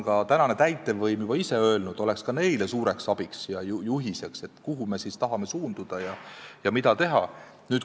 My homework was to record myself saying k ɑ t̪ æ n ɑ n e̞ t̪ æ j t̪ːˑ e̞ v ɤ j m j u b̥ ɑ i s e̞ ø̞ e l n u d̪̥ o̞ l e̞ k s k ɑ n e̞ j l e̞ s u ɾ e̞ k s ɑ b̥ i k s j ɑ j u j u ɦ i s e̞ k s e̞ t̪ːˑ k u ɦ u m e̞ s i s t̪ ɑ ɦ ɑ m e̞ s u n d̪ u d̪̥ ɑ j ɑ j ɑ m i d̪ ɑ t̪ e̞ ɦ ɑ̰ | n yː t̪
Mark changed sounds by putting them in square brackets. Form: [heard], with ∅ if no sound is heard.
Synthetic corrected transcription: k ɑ t̪ æ n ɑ n e̞ t̪ æ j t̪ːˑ e̞ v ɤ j m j u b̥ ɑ i s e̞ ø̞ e l n u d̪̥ o̞ l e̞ k s k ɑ n e̞ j l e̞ s [uː] ɾ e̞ k s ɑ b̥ i k s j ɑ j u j u ɦ i s e̞ k s e̞ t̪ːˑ k u ɦ u m e̞ s i s t̪ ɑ ɦ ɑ m e̞ s [uː] n d̪ u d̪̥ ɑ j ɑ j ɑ m i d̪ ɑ t̪ e̞ ɦ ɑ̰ | n yː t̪